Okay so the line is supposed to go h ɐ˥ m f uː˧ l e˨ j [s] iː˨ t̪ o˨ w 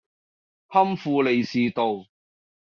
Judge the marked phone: correct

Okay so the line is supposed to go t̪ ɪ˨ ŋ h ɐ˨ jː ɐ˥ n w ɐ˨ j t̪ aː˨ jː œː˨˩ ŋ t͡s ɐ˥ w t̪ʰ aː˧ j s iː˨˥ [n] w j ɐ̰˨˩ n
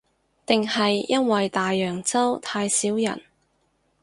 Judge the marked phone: incorrect: none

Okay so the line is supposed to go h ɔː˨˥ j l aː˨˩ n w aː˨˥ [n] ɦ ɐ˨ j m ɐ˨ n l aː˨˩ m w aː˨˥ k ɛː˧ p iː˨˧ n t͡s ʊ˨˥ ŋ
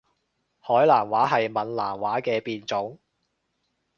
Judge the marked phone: incorrect: none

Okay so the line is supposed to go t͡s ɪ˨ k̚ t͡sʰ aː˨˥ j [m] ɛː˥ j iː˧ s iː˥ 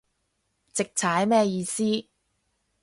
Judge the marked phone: correct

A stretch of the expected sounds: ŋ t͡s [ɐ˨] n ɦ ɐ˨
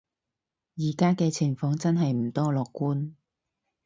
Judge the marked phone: incorrect: ɐ˥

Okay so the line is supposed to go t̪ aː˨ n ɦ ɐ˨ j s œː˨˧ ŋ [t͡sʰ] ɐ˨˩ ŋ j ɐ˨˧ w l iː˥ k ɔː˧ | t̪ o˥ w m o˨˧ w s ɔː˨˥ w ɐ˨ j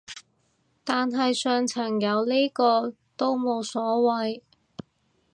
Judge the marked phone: correct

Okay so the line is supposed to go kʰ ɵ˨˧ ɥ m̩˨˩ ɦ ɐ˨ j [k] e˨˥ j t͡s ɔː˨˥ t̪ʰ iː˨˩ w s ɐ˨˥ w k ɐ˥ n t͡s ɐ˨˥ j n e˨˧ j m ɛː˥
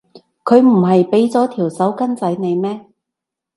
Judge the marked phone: incorrect: p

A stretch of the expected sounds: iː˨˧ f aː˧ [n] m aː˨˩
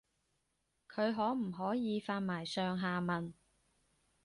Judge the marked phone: correct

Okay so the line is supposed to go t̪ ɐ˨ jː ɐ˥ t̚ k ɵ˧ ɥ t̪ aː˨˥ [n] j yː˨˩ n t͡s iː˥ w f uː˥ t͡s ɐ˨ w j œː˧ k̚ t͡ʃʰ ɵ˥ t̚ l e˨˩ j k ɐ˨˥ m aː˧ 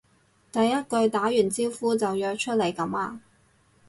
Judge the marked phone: incorrect: none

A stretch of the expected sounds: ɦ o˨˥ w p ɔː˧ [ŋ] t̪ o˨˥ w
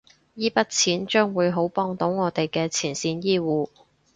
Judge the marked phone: correct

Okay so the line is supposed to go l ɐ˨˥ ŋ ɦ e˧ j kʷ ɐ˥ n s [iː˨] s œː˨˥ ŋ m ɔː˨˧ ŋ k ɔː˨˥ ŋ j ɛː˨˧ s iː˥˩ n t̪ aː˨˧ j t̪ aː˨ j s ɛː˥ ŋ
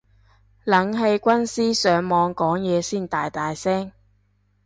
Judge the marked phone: incorrect: iː˥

